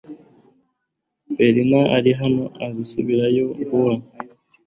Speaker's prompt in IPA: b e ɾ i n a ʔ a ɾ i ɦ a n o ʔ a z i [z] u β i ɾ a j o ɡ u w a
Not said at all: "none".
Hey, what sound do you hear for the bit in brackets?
s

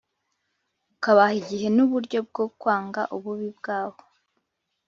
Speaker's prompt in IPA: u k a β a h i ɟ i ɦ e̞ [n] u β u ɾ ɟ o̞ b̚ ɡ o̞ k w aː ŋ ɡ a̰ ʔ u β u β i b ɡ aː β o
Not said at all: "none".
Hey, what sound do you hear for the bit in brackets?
n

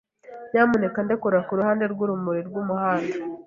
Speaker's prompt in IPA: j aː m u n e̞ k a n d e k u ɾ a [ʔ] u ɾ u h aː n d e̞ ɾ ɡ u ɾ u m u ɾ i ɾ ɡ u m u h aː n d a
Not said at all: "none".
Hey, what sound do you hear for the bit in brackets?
k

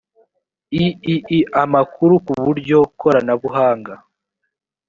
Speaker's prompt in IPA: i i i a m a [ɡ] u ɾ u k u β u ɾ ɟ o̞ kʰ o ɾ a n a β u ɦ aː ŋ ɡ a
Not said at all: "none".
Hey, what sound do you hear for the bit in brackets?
k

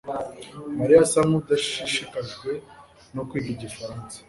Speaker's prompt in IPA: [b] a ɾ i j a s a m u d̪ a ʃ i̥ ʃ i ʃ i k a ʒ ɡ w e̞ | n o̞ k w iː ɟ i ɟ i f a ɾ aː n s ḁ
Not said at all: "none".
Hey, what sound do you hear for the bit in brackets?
m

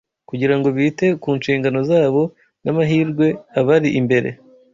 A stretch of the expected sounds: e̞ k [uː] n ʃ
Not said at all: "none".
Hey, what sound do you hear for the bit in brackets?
uː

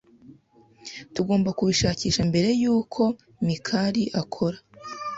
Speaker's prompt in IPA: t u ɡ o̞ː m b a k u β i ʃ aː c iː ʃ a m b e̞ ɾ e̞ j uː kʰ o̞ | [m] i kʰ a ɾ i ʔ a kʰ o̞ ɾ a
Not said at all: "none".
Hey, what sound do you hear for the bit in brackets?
m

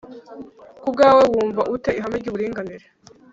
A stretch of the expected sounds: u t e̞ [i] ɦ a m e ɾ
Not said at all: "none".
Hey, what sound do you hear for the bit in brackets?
i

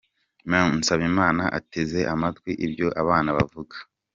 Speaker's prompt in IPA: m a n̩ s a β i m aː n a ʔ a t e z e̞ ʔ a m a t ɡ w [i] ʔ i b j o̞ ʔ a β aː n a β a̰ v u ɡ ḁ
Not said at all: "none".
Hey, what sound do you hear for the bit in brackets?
i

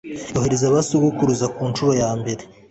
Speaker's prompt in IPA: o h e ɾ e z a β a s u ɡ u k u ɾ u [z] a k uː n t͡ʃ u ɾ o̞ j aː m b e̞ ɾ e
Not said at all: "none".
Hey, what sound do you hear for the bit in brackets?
z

